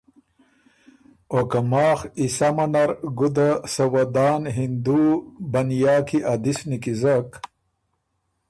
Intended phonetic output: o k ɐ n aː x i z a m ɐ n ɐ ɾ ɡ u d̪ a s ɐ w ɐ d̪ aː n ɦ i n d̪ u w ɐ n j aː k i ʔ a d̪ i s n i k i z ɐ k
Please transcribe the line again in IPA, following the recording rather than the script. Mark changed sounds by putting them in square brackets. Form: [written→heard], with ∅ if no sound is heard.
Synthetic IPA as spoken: o k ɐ [n→m] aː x i [z→s] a m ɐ n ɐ ɾ ɡ u d̪ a s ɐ w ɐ d̪ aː n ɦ i n d̪ u [w→b] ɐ n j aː k i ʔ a d̪ i s n i k i z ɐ k